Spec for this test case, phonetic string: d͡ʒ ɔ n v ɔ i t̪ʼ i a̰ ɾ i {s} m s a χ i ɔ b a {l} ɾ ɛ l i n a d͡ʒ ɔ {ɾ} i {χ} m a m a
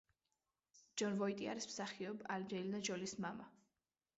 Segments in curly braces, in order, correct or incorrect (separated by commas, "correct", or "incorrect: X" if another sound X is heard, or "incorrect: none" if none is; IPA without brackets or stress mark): correct, correct, incorrect: l, incorrect: s